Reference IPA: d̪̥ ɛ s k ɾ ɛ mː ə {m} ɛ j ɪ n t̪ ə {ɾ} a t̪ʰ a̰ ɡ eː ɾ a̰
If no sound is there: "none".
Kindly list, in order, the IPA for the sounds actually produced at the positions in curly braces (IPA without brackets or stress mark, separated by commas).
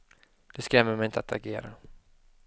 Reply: m, none